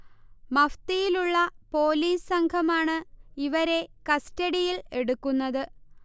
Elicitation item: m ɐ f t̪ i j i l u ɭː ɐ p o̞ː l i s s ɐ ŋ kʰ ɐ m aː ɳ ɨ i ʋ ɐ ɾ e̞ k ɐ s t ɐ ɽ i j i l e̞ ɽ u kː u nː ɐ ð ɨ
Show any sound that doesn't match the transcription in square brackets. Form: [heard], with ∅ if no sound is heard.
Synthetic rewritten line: m ɐ f t̪ i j i l u ɭː ɐ p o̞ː l [iː] s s ɐ ŋ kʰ ɐ m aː ɳ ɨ i ʋ ɐ ɾ e̞ k ɐ s t ɐ ɽ i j i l e̞ ɽ u kː u nː ɐ ð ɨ